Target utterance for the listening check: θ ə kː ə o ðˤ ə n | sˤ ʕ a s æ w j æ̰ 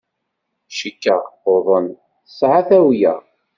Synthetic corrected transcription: ʃ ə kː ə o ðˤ ə n | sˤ ʕ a θ æ w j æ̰